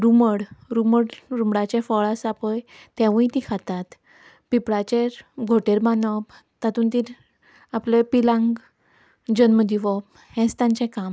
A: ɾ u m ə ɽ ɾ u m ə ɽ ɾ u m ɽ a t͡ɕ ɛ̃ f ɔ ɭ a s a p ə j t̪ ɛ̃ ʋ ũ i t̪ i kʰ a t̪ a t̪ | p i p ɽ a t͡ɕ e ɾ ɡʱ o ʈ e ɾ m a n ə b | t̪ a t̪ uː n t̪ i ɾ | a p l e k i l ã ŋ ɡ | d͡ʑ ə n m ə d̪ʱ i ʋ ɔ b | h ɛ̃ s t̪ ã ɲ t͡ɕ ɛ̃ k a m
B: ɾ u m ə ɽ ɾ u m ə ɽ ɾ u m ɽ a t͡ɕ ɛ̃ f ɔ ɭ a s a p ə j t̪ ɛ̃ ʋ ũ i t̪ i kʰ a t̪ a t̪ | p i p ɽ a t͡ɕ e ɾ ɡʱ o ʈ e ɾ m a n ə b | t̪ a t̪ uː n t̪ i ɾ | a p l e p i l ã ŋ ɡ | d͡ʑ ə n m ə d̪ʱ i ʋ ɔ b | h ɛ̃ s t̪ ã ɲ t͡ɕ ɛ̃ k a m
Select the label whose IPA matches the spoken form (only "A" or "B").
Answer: B